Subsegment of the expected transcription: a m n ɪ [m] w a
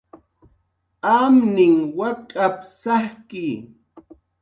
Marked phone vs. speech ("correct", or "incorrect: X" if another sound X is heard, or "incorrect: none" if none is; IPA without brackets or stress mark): incorrect: ŋ